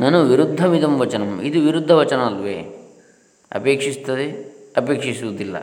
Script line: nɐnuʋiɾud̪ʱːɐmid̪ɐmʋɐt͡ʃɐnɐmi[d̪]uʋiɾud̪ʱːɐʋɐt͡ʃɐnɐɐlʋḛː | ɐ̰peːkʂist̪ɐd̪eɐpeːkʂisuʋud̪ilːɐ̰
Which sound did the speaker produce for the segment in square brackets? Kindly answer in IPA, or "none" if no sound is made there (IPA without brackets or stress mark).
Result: d̪